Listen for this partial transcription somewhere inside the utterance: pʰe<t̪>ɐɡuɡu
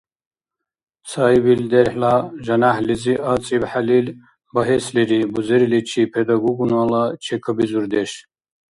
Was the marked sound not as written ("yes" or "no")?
yes